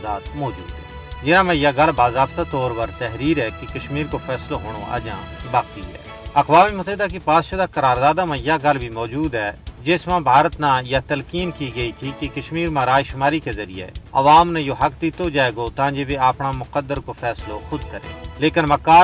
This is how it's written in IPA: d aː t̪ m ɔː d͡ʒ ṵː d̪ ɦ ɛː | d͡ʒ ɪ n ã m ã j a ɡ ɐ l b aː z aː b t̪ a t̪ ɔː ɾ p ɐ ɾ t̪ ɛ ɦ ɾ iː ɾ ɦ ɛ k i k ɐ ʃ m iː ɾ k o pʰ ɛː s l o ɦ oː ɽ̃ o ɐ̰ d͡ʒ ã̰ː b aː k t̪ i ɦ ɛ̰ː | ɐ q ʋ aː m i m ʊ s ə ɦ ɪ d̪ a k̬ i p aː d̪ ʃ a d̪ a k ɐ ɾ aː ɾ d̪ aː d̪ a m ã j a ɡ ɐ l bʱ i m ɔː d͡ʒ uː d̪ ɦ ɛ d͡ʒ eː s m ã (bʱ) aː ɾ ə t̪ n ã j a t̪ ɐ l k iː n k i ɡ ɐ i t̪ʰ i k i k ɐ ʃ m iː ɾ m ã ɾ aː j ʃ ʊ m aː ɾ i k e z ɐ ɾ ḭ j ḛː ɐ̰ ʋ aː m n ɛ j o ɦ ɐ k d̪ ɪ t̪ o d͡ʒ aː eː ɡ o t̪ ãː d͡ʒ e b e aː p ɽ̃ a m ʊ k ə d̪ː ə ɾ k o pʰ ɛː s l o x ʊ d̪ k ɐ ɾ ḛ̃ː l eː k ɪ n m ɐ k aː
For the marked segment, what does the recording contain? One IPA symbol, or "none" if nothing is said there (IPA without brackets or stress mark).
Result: bʱ